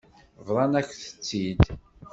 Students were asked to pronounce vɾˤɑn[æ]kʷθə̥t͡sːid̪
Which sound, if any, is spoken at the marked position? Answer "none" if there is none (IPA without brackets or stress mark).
æ